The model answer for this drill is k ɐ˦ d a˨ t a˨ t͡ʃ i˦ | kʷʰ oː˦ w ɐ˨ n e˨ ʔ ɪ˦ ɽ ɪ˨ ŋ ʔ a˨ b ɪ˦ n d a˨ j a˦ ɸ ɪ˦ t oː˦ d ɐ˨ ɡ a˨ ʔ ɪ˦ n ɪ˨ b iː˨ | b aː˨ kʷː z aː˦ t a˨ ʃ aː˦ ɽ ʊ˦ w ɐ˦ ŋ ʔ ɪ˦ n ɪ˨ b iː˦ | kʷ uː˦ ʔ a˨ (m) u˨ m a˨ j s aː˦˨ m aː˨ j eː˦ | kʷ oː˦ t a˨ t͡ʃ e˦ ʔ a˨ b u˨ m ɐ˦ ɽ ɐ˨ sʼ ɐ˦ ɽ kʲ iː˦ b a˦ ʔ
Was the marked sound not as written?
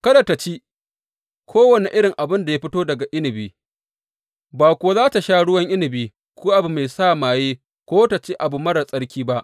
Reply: yes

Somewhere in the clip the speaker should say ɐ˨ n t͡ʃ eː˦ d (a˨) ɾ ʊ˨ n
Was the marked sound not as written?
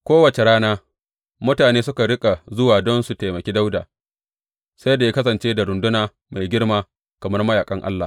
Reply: no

